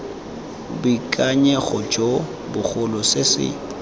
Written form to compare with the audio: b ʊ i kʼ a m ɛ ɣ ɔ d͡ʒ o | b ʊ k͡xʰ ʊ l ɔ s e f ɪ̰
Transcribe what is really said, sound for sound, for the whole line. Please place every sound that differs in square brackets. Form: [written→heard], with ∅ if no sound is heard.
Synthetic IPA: b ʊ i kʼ a [m→ɲ] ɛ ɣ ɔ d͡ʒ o | b ʊ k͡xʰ ʊ l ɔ s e [f→s] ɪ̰

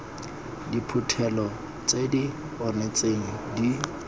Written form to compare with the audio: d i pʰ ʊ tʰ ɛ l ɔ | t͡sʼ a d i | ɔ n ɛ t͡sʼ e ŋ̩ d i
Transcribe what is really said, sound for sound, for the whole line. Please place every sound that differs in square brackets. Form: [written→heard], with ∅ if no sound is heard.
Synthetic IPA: d i pʰ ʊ tʰ ɛ l ɔ | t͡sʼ [a→e] d i | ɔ n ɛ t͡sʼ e ŋ̩ d i

